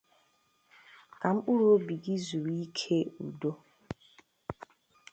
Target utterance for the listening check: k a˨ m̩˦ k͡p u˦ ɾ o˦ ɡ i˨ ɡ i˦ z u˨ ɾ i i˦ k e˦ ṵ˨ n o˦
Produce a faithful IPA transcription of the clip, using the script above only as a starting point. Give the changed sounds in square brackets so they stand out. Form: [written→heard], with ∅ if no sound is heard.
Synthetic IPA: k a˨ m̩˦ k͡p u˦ ɾ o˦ [ɡ→b] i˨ ɡ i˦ z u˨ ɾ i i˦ [k→kʰ] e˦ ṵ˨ [n→d] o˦